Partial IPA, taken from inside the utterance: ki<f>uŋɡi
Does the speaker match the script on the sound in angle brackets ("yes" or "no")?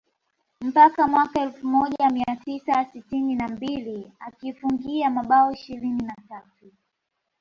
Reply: yes